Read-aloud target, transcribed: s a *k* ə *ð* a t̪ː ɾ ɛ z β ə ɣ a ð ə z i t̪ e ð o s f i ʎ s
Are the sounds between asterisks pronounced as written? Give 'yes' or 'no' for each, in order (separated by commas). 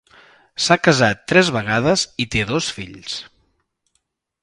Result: yes, no